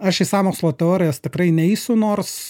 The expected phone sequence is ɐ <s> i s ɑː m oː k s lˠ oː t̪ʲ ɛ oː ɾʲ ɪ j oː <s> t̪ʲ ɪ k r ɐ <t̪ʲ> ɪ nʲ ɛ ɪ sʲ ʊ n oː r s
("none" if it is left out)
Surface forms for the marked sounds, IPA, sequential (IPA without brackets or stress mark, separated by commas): ʃ, s, none